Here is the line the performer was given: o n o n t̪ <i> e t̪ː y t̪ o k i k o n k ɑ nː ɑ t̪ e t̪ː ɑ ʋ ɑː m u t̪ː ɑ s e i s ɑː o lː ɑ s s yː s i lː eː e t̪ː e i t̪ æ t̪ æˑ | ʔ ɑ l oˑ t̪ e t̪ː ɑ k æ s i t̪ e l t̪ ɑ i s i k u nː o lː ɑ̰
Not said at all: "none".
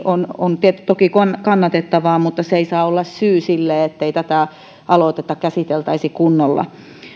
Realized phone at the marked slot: i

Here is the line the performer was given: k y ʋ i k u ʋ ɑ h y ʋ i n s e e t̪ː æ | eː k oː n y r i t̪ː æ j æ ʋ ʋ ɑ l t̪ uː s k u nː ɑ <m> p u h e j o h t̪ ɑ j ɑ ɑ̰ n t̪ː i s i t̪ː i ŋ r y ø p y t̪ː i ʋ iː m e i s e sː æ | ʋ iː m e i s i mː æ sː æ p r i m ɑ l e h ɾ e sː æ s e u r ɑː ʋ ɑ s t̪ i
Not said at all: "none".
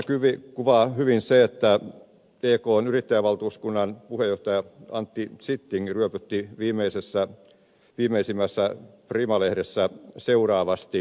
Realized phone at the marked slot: n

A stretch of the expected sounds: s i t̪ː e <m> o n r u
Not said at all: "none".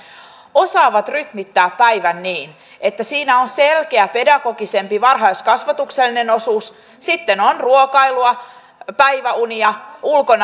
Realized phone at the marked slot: n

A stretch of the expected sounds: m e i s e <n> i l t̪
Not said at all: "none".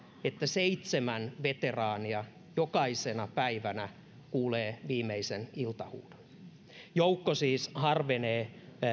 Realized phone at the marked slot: n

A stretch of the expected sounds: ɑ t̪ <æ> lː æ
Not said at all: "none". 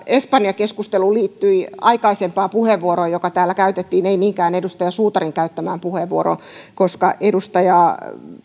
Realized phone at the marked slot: æː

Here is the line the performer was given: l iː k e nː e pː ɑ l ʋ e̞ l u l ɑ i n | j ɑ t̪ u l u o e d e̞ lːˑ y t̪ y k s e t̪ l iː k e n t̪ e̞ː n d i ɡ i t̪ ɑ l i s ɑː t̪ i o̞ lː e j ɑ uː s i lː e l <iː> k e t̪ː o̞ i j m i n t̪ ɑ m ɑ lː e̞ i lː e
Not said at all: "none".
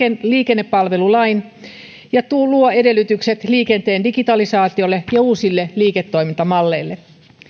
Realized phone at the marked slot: iː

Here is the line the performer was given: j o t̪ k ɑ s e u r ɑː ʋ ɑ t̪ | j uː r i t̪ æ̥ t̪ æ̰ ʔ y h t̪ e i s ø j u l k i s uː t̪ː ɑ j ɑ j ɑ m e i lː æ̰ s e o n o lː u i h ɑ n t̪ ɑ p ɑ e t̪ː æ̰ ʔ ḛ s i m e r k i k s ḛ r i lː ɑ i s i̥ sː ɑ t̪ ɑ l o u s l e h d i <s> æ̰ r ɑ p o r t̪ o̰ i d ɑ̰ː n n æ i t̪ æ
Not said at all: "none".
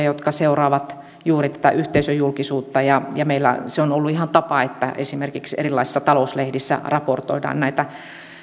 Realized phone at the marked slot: sː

